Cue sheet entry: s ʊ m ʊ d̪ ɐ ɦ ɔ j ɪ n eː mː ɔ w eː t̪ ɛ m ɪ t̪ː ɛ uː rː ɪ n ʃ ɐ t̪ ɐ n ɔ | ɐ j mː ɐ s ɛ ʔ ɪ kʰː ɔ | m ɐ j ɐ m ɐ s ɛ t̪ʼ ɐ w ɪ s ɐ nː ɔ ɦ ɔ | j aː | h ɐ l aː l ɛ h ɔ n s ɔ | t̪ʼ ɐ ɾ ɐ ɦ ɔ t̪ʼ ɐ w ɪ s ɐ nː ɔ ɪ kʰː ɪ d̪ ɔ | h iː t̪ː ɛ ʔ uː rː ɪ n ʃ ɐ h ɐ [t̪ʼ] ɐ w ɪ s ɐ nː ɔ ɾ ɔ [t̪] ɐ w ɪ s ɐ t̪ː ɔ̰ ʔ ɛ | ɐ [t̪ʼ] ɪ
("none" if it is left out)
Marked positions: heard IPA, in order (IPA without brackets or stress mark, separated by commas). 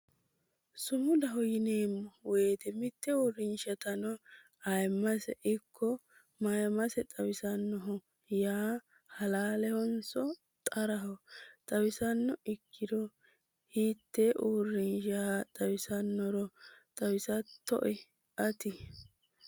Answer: t̪ʼ, t̪ʼ, t̪